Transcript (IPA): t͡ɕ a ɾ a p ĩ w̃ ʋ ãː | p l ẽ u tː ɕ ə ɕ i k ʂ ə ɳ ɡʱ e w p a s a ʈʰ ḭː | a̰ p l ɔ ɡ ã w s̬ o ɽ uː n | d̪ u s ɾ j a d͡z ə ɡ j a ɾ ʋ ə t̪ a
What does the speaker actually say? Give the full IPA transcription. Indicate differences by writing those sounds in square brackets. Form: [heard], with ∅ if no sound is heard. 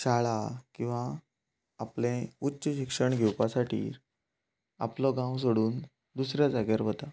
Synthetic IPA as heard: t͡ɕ a [ɭ] a [k] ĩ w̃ ʋ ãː | p l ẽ u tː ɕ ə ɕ i k ʂ ə ɳ ɡʱ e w p a s a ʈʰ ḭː | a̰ p l ɔ ɡ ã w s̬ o ɽ uː n | d̪ u s ɾ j a d͡z [a] ɡ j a ɾ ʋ ə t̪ a